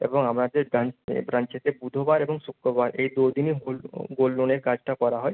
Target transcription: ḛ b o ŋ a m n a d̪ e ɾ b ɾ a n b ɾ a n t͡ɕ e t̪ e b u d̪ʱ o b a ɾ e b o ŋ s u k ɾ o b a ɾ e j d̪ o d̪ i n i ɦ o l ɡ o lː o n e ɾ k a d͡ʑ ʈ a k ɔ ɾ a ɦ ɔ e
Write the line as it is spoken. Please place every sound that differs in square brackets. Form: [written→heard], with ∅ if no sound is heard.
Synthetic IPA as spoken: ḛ b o ŋ a m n a d̪ e ɾ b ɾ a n b ɾ a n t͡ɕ e t̪ e b u d̪ʱ o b a ɾ e b o ŋ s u k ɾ o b a ɾ e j d̪ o d̪ i n i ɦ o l ɡ o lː o n e ɾ k a d͡ʑ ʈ a k ɔ ɾ a ɦ ɔ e